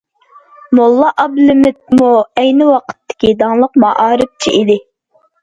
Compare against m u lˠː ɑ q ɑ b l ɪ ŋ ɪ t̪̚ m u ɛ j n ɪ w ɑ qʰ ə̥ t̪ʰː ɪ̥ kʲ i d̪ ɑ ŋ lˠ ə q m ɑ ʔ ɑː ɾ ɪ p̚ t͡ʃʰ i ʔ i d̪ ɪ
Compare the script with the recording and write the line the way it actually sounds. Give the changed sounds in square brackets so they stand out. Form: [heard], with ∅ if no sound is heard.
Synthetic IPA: m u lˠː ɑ [ʔ] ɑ b l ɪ [m] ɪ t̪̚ m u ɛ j n ɪ w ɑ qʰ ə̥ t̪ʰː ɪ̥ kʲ i d̪ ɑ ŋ lˠ ə q m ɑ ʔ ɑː ɾ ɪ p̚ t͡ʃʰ i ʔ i d̪ ɪ